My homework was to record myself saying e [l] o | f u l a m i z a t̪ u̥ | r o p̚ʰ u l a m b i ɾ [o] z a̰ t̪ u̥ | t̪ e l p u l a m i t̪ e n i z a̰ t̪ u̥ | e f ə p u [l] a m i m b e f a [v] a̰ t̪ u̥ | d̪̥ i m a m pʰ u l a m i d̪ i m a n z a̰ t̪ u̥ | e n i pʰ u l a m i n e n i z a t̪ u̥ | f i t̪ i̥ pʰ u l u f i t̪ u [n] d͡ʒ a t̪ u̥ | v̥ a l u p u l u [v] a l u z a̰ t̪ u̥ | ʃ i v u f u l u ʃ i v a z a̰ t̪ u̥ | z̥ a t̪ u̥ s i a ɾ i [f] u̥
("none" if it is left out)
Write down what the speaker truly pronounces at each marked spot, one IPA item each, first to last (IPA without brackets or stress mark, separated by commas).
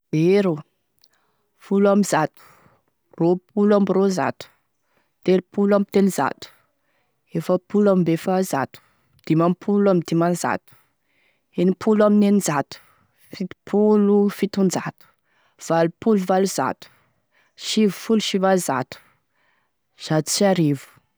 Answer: ɾ, o, l, z, n, v, v